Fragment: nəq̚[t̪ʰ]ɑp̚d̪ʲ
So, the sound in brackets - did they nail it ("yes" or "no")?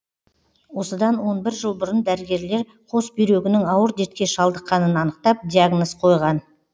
no